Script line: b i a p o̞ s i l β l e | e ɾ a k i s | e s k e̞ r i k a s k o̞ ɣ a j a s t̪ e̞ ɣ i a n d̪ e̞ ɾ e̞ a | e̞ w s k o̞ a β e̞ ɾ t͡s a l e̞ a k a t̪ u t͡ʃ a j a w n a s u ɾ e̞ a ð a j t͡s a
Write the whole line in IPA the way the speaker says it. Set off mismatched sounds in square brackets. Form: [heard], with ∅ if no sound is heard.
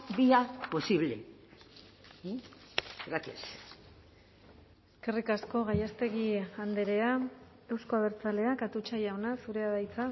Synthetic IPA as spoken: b i a p o̞ s i [∅] β l e | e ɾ a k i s | e s k e̞ r i k a s k o̞ ɣ a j a s t̪ e̞ ɣ i a n d̪ e̞ ɾ e̞ a | e̞ w s k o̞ a β e̞ ɾ t͡s a l e̞ a k a t̪ u t͡ʃ a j a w n a s u ɾ e̞ a ð a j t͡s a

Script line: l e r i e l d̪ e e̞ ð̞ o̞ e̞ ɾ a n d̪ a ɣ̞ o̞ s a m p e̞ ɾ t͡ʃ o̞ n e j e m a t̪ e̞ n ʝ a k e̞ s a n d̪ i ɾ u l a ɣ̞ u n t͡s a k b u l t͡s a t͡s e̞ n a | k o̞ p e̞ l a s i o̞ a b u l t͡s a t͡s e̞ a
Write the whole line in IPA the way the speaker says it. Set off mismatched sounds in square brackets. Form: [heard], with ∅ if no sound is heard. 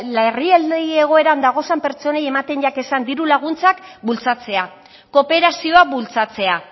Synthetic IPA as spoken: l e r i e l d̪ e e̞ [ɣ̞] o̞ e̞ ɾ a n d̪ a ɣ̞ o̞ s a m p e̞ ɾ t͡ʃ o̞ n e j e m a t̪ e̞ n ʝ a k e̞ s a n d̪ i ɾ u l a ɣ̞ u n t͡s a k b u l t͡s a t͡s e̞ [∅] a | k o̞ p e̞ [ɾ] a s i o̞ a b u l t͡s a t͡s e̞ a

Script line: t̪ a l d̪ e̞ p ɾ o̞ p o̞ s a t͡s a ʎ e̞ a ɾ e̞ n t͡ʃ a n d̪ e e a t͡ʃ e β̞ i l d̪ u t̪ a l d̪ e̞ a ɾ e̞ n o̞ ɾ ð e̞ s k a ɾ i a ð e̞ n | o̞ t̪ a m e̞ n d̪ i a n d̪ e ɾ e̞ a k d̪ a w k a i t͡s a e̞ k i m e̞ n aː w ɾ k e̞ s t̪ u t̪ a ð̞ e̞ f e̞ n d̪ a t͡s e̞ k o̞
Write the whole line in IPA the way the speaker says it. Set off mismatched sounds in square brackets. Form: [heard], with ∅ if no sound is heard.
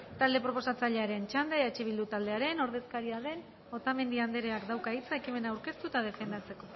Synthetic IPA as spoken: t̪ a l d̪ e̞ p ɾ o̞ p o̞ s a t͡s a ʎ e̞ a ɾ e̞ n t͡ʃ a n d̪ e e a t͡ʃ e β̞ i l d̪ u t̪ a l d̪ e̞ a ɾ e̞ n o̞ ɾ ð e̞ s k a ɾ i a ð e̞ n | o̞ t̪ a m e̞ n d̪ i a n d̪ e ɾ e̞ a k d̪ a w k a i t͡s a e̞ k i m e̞ n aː w ɾ k e̞ s t̪ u t̪ a ð̞ e̞ f e̞ n d̪ a t͡s e̞ k o̞

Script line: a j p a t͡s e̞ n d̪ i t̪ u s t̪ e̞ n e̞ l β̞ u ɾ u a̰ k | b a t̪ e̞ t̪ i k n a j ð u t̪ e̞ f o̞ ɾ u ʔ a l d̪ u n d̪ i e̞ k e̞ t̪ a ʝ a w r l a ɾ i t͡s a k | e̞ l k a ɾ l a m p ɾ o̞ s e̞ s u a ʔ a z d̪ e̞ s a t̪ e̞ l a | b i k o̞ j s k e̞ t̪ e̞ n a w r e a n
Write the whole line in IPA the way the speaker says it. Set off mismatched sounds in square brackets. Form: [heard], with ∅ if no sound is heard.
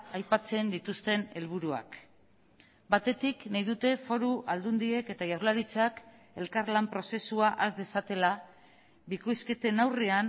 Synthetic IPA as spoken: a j p a t͡s e̞ n d̪ i t̪ u s t̪ e̞ n e̞ l β̞ u ɾ u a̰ k | b a t̪ e̞ t̪ i k n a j ð u t̪ e̞ f o̞ ɾ u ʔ a l d̪ u n d̪ i e̞ k e̞ t̪ a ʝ a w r l a ɾ i t͡s a k | e̞ l k a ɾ l a m p ɾ o̞ s e̞ s u a ʔ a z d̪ e̞ s a t̪ e̞ l a | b i k o̞ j s k e̞ t̪ e̞ n a w r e a n

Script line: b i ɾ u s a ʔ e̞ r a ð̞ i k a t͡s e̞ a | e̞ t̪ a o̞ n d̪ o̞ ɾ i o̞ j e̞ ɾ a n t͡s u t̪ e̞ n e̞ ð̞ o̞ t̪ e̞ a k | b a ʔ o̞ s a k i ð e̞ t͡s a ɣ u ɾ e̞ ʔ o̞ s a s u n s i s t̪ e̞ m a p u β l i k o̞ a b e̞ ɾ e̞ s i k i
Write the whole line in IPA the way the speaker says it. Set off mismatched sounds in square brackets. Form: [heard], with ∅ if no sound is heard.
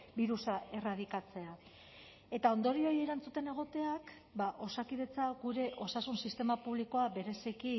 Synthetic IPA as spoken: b i ɾ u s a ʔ e̞ r a ð̞ i k a t͡s e̞ a | e̞ t̪ a o̞ n d̪ o̞ ɾ i o̞ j e̞ ɾ a n t͡s u t̪ e̞ n e̞ [ɣ̞] o̞ t̪ e̞ a k | b a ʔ o̞ s a k i ð e̞ t͡s a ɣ u ɾ e̞ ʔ o̞ s a s u n s i s t̪ e̞ m a p u β l i k o̞ a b e̞ ɾ e̞ s i k i

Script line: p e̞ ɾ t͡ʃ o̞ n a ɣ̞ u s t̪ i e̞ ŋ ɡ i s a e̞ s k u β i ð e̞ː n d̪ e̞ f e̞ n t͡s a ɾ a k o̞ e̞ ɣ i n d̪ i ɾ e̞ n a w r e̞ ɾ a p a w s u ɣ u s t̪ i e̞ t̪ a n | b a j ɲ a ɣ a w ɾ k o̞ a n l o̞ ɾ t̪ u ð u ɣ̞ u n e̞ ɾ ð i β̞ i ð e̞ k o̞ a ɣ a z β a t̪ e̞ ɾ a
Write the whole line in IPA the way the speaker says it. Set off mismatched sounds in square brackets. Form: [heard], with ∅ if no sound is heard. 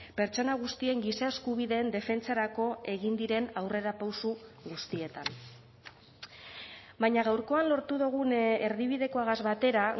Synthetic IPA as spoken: p e̞ ɾ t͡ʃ o̞ n a ɣ̞ u s t̪ i e̞ ŋ ɡ i s a e̞ s k u β i ð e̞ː n d̪ e̞ f e̞ n t͡s a ɾ a k o̞ e̞ ɣ i n d̪ i ɾ e̞ n a w r e̞ ɾ a p a w s u ɣ u s t̪ i e̞ t̪ a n | b a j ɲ a ɣ a w ɾ k o̞ a n l o̞ ɾ t̪ u ð u ɣ̞ u n e̞ ɾ ð i β̞ i ð e̞ k o̞ a ɣ a z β a t̪ e̞ ɾ a

